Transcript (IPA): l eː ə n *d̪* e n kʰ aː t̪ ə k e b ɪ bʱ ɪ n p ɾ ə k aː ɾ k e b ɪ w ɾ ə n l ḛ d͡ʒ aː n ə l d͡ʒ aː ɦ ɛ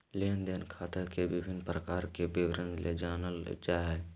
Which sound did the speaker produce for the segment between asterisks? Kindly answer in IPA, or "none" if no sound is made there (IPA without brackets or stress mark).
d̪